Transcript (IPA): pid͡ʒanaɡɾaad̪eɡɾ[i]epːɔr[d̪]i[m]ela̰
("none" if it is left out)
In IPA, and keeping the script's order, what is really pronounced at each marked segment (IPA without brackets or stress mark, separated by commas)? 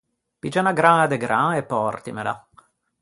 a, t̪, m